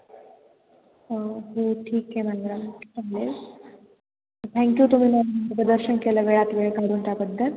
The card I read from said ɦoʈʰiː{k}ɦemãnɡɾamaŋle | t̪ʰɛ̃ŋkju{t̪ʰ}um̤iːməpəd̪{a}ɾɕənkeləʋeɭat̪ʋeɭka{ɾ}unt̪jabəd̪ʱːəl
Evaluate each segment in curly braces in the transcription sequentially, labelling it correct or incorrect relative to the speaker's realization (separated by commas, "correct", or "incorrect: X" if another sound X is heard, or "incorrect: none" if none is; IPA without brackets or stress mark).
correct, incorrect: t̪, incorrect: ə, correct